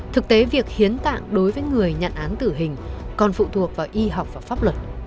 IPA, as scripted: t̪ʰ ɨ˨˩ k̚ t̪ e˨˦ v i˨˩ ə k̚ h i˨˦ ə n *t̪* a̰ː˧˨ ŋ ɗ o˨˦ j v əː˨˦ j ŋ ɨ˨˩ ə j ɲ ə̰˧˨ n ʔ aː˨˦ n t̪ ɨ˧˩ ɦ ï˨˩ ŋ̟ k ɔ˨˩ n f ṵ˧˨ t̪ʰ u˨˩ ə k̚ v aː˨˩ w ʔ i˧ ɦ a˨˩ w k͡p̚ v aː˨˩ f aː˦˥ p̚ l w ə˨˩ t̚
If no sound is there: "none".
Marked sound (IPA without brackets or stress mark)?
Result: t̪